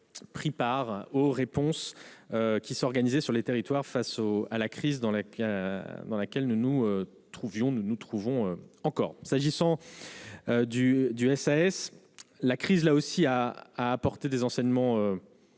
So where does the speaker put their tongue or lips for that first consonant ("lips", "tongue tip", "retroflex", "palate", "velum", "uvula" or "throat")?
lips